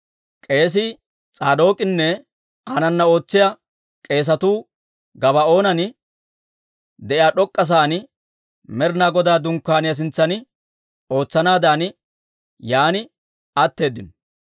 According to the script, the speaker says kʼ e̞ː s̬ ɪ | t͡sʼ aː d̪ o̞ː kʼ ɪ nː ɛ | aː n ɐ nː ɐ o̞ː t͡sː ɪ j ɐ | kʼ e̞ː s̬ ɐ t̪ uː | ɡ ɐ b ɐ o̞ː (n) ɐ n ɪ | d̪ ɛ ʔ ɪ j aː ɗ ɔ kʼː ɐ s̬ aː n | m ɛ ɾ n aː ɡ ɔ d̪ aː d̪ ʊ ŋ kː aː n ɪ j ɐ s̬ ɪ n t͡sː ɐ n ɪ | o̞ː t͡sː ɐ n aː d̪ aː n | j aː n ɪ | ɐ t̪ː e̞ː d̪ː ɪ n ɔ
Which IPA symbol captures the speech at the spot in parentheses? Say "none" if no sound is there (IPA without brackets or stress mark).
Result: n